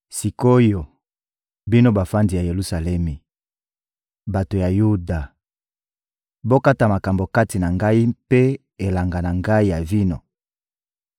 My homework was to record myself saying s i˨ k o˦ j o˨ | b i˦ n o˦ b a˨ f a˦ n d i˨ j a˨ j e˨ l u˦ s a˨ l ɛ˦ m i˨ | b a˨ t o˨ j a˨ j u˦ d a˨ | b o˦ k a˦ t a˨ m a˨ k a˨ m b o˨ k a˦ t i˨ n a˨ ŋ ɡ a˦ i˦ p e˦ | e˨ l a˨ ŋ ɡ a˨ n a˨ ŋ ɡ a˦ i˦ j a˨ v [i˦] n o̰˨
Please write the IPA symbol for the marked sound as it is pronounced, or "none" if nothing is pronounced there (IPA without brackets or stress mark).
i˦